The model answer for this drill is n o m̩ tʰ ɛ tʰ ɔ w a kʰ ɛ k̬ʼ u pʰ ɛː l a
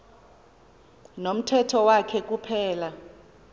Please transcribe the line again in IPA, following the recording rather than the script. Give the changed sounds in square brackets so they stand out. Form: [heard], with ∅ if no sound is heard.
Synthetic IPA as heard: n o m̩ tʰ ɛ tʰ ɔ w a kʰ ɛ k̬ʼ u pʰ ɛː l a